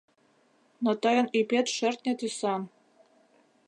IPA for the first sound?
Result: n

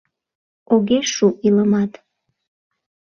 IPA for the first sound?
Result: o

